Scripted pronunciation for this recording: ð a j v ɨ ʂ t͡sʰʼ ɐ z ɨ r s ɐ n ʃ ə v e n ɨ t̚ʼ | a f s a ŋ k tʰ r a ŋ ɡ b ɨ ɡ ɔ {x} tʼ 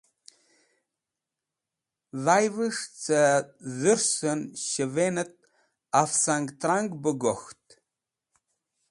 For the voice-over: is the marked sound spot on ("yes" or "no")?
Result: yes